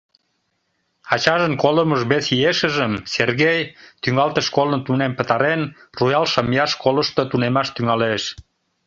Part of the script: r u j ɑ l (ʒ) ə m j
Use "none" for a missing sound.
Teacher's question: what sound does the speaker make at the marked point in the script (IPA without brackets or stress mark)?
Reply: ʃ